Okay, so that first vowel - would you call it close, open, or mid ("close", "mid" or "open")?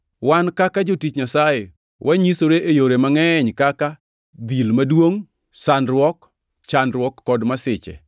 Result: open